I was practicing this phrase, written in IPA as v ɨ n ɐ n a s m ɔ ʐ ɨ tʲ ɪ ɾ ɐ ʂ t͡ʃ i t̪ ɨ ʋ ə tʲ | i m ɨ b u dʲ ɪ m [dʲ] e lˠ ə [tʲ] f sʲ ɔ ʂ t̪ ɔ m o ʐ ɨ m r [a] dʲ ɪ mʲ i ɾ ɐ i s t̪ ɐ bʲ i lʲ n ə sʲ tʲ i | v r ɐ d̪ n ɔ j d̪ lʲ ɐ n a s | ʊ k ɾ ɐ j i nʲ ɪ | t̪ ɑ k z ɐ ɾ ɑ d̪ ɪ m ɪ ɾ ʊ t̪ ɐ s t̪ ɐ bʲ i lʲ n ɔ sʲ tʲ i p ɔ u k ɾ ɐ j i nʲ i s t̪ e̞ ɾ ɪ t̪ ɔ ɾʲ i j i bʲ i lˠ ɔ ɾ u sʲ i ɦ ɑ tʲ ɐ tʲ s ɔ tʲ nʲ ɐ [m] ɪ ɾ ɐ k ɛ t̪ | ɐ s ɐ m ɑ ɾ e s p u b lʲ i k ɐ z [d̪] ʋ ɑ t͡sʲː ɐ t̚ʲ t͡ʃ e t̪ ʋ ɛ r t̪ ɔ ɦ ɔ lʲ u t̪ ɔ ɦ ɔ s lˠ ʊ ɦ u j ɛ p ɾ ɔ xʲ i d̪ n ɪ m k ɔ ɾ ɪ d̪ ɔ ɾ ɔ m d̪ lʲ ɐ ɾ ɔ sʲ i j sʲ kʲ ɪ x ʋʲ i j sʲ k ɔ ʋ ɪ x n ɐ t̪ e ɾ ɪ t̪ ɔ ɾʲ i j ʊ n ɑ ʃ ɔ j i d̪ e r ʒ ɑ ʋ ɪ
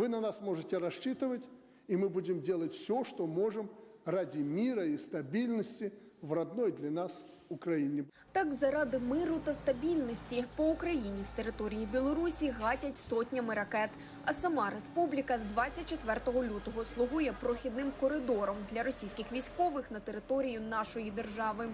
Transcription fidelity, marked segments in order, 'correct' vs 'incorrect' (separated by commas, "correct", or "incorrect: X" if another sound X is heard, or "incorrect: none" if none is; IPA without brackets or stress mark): correct, correct, correct, correct, correct